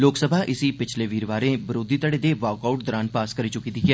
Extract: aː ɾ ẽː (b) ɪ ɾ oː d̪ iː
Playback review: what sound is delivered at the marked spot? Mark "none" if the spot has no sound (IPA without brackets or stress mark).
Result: b